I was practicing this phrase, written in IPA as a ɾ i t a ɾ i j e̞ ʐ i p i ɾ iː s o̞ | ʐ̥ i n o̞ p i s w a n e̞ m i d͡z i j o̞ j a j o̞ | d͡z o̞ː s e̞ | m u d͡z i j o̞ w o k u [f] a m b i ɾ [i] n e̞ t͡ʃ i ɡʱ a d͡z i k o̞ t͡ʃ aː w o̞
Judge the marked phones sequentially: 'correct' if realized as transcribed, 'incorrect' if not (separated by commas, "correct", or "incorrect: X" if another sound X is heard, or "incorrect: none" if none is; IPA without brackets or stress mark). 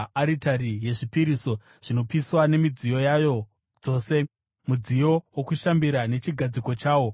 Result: incorrect: ʃ, incorrect: a